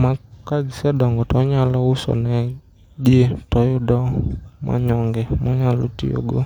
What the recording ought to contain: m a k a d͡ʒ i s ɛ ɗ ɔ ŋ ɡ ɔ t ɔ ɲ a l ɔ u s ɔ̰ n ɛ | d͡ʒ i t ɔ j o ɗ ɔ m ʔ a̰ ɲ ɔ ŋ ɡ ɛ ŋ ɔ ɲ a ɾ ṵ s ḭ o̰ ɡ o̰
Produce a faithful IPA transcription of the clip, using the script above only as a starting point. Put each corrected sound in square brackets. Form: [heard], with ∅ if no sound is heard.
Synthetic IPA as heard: m a k a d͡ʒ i s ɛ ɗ ɔ ŋ ɡ ɔ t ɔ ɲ a l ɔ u s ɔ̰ n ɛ | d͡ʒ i t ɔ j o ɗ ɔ m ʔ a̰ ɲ ɔ ŋ ɡ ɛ [m] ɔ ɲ a [l] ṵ [t] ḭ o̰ ɡ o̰